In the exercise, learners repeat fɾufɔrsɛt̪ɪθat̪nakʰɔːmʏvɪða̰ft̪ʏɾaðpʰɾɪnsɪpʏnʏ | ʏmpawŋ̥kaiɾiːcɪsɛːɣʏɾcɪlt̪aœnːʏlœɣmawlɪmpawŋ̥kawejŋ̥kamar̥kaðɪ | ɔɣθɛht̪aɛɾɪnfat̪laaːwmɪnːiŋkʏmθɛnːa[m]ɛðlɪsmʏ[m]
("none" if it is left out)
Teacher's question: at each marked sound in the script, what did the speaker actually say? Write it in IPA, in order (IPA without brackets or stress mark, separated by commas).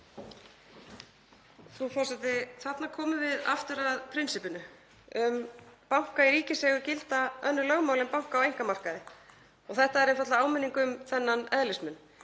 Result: n, n